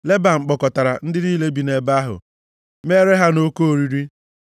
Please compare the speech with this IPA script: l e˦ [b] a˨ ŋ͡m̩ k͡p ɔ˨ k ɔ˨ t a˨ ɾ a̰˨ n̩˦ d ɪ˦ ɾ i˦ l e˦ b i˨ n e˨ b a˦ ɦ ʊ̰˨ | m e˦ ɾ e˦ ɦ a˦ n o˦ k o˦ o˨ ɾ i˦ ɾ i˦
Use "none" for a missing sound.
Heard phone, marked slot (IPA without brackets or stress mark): b